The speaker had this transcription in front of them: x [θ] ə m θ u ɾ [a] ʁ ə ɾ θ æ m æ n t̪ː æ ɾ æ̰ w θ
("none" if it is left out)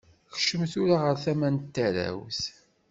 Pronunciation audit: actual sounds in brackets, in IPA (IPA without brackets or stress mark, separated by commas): ʃ, a